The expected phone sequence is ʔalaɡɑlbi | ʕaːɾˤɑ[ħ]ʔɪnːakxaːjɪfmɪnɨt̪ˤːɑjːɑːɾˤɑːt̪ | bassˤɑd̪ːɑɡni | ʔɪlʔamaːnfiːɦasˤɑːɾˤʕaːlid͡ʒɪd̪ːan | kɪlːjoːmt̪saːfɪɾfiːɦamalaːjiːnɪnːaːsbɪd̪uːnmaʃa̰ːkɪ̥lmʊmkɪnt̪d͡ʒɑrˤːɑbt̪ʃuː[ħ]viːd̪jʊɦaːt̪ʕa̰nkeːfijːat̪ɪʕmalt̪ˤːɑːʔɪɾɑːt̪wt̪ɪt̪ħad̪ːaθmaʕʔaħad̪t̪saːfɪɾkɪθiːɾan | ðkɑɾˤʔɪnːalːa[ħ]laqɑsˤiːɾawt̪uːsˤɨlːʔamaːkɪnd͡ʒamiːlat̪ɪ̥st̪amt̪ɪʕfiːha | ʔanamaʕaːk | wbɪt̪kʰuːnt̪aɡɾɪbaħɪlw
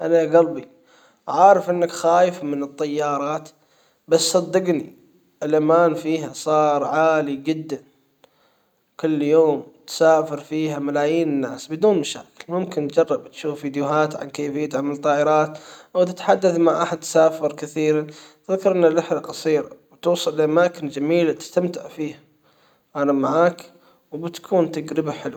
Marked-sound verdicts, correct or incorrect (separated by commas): incorrect, incorrect, correct